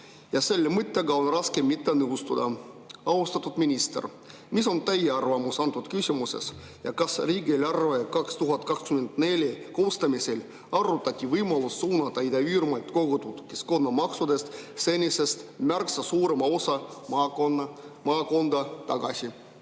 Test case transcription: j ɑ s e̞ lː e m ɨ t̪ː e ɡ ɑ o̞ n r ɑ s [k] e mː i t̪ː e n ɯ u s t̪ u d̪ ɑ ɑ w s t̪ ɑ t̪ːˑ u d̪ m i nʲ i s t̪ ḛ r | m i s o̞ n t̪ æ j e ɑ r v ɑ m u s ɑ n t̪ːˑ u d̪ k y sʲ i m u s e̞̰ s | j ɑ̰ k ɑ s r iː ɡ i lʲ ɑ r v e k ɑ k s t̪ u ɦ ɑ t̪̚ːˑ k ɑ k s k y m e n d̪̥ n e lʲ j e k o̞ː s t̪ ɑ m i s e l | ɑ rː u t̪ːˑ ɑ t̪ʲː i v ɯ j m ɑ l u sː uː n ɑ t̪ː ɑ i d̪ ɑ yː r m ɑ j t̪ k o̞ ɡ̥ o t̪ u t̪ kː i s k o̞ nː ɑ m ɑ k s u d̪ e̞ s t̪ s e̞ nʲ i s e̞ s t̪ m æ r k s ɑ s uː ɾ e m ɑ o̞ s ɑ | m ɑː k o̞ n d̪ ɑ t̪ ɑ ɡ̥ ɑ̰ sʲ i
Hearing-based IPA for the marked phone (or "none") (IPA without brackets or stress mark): k